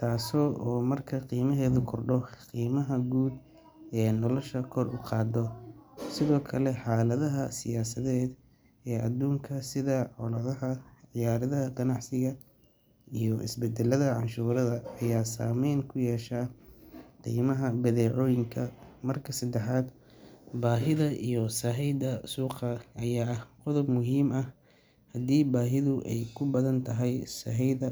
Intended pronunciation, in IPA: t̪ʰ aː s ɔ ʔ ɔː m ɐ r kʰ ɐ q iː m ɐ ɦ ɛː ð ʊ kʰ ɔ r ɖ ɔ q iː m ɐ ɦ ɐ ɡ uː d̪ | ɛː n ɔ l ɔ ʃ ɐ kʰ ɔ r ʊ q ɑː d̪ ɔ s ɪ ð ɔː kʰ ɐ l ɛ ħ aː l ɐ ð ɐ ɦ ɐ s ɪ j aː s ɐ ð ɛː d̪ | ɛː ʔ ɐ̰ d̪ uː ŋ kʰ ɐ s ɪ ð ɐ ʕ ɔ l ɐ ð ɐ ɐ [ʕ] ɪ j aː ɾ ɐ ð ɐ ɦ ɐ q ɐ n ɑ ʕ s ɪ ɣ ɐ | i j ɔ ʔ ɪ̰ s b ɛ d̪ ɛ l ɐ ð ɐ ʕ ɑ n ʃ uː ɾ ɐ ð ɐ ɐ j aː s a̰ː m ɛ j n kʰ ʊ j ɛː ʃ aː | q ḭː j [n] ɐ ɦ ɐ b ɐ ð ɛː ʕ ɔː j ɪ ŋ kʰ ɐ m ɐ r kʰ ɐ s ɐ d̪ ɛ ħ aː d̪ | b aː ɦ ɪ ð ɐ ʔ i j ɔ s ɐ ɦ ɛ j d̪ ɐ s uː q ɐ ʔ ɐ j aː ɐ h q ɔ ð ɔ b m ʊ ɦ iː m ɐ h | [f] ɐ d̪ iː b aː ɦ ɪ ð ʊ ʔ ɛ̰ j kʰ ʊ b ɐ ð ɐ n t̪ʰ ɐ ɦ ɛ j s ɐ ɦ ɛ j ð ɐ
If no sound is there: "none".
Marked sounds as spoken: ʕ, m, h

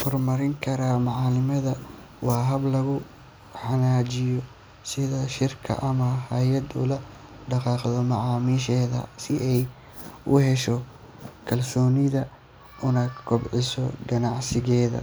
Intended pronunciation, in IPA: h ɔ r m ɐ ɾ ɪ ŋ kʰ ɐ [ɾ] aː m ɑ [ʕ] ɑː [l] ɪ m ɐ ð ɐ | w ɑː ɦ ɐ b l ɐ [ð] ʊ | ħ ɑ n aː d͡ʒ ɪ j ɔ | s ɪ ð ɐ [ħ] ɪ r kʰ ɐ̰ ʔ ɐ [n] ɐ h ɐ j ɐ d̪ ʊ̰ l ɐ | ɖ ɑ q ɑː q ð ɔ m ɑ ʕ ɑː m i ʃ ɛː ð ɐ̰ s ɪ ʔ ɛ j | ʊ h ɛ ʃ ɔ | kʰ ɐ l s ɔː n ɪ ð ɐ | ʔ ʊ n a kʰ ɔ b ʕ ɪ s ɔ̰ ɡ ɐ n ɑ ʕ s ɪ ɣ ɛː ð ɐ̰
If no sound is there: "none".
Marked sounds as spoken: ɾ, ʕ, l, ɣ, ʃ, m

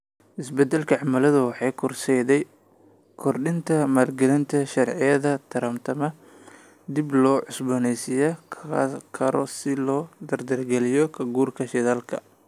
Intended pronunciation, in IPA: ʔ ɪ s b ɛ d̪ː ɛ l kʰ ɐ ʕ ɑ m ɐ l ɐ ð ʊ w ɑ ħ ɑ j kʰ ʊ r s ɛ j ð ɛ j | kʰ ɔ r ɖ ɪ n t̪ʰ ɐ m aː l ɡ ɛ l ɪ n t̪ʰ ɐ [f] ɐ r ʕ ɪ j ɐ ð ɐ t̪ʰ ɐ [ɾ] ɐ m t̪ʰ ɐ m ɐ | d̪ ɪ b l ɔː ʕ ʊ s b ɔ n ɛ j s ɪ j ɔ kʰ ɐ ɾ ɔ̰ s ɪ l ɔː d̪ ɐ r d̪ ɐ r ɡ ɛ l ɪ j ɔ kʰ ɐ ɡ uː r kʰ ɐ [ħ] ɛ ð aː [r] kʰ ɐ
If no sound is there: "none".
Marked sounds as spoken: ʃ, ɾ, ʃ, l

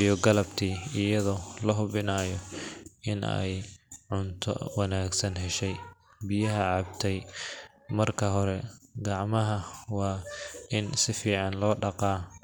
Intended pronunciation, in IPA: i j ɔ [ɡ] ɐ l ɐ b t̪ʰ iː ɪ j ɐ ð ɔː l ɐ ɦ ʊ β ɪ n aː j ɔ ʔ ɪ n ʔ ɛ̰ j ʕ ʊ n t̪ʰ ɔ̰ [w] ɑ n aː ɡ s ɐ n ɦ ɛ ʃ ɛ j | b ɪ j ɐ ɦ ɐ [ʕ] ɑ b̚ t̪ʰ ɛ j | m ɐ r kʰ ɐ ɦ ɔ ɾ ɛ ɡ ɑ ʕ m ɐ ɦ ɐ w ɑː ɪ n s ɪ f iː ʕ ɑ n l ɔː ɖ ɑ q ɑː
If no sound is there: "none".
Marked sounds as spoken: ɡ, w, ʕ

